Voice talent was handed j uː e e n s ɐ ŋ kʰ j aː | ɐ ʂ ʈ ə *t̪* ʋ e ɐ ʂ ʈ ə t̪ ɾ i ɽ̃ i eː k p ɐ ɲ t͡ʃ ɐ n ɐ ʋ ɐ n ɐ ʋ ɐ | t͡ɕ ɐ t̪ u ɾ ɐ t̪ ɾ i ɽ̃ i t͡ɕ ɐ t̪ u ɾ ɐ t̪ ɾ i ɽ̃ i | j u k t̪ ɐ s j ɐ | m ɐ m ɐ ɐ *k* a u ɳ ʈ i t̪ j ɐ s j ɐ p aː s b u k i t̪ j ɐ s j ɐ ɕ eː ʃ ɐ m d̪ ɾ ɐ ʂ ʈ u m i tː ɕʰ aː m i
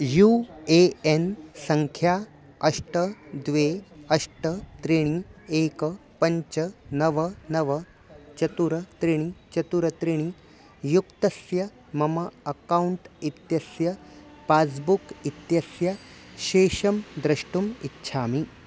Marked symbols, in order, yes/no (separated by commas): no, yes